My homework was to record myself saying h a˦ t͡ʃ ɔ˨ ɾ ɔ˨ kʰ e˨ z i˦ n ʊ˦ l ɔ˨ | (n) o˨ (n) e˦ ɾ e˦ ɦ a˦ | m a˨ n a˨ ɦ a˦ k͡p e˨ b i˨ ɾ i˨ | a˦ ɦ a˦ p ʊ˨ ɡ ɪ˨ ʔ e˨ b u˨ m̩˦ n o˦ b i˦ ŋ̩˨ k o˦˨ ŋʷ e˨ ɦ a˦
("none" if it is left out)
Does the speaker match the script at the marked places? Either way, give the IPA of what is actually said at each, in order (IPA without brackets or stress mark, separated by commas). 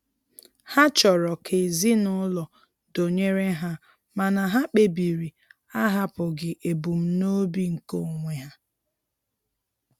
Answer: d, ɲ